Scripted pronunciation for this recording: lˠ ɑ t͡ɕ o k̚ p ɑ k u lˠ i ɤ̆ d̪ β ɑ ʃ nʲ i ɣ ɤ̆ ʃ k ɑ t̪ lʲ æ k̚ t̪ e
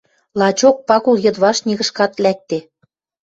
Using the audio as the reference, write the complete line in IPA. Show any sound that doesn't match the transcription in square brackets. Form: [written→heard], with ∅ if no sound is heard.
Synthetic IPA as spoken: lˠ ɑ t͡ɕ o k̚ p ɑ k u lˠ [i→j] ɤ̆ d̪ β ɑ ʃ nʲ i ɣ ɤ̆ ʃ k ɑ t̪ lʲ æ k̚ t̪ e